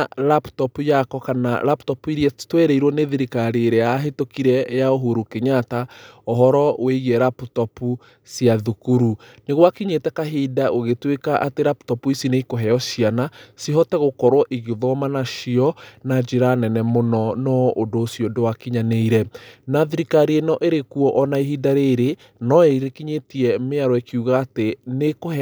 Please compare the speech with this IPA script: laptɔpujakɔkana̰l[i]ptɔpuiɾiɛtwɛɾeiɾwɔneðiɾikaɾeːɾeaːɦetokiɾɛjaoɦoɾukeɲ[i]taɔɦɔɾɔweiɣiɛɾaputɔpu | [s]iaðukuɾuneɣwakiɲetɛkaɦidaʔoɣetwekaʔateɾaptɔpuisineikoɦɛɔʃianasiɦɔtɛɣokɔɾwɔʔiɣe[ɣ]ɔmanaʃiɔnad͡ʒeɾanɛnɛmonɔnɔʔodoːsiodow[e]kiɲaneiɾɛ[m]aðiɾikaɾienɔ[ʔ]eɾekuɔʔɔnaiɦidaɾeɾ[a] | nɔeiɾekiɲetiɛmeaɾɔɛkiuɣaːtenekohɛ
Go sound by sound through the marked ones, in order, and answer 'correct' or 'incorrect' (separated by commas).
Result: incorrect, incorrect, correct, incorrect, incorrect, incorrect, correct, incorrect